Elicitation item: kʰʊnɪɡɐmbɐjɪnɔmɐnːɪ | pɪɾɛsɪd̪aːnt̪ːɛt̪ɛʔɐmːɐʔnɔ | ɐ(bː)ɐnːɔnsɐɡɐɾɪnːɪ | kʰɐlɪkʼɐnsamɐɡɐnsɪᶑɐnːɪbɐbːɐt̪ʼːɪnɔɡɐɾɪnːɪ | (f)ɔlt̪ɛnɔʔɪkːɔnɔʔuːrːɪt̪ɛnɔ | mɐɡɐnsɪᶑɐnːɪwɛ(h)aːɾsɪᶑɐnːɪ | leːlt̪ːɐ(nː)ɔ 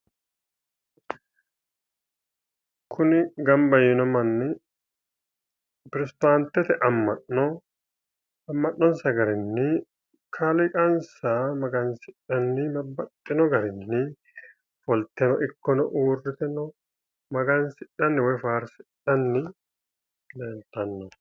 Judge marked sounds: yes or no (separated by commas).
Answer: no, yes, no, yes